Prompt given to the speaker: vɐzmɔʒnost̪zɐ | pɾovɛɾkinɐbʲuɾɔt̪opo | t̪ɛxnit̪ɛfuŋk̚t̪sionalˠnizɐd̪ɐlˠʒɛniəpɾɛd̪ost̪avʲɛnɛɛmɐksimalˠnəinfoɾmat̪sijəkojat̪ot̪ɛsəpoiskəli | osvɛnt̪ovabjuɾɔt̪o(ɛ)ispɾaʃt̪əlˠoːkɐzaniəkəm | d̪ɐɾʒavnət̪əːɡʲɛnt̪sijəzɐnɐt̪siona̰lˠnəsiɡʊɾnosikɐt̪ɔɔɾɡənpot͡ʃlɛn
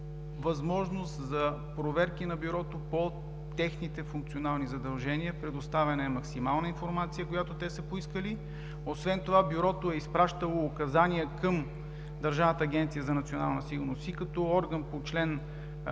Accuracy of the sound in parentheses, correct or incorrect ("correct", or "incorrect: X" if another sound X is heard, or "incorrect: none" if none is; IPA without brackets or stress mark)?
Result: correct